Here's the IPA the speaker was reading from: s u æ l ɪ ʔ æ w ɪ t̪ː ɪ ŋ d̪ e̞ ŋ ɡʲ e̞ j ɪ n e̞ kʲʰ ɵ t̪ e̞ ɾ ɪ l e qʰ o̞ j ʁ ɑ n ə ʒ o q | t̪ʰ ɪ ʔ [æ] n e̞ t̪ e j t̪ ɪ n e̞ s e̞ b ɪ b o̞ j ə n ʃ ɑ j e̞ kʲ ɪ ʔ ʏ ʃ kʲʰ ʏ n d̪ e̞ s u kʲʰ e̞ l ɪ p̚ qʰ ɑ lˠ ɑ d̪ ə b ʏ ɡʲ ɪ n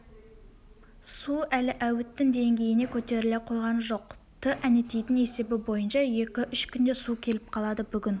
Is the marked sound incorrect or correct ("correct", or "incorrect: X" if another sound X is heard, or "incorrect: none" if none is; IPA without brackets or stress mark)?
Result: correct